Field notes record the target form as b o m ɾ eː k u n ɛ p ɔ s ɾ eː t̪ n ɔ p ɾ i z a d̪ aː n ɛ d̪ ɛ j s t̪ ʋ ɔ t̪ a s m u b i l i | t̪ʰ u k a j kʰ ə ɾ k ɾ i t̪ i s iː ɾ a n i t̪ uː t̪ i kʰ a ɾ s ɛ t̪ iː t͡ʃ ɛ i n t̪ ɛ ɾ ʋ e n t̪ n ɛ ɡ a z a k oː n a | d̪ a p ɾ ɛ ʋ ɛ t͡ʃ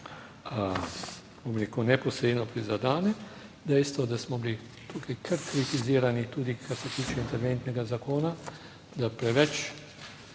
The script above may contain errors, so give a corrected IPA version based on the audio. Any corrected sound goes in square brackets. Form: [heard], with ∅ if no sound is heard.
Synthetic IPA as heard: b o m ɾ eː k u n ɛ p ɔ s ɾ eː [d̪] n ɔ p ɾ i z a d̪ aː n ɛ d̪ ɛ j s t̪ ʋ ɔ [d̪] a s m [ɔ] b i l i | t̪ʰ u k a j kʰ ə ɾ k ɾ i t̪ i [z] iː ɾ a n i t̪ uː [d̪] i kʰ a ɾ s ɛ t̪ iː t͡ʃ ɛ i n t̪ ɛ ɾ ʋ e n t̪ n ɛ ɡ a z a k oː n a | d̪ a p ɾ ɛ ʋ ɛ t͡ʃ